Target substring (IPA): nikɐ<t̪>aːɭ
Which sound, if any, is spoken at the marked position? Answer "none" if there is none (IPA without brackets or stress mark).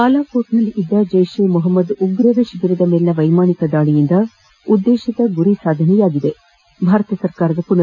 d̪